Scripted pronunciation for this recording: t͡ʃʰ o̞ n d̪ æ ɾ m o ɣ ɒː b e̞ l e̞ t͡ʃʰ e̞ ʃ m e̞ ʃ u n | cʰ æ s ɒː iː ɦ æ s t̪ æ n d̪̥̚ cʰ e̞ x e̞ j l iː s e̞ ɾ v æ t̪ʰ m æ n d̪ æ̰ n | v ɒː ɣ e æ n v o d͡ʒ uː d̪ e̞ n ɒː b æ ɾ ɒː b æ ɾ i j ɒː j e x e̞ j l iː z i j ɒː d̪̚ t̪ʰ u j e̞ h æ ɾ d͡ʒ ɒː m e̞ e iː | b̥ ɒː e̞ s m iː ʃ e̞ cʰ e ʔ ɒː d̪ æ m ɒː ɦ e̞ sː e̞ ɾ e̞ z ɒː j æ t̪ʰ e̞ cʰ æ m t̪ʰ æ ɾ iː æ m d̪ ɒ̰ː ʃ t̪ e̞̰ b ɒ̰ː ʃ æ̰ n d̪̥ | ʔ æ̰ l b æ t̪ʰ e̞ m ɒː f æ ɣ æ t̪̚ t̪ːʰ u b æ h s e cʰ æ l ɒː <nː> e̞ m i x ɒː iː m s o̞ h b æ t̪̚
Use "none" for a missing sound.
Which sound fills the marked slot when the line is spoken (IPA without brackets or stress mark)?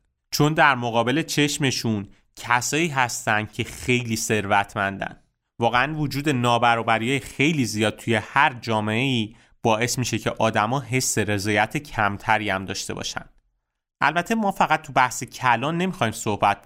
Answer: nː